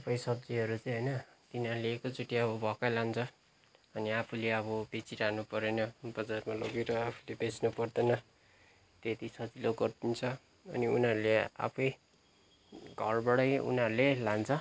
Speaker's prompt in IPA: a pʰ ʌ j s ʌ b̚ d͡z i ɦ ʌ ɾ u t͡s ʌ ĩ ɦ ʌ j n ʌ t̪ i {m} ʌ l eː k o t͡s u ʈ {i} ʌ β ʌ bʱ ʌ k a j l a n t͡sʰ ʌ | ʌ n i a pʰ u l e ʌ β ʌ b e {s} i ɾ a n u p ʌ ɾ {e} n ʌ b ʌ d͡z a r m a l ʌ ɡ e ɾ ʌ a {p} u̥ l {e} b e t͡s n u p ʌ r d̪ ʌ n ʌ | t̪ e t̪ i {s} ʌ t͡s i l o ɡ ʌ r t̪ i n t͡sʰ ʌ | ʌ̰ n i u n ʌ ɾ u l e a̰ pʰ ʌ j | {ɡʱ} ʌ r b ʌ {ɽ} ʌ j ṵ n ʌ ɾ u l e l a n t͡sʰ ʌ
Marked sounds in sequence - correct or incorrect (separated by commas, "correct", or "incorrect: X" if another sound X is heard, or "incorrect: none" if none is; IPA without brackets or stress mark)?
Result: incorrect: n, correct, incorrect: t͡s, correct, incorrect: pʰ, correct, correct, correct, correct